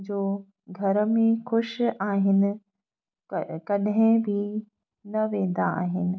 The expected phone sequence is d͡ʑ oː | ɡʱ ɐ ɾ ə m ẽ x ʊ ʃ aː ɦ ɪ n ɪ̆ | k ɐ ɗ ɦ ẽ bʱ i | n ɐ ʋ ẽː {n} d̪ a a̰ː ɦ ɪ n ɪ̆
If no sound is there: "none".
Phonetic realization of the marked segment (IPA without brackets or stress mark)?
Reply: n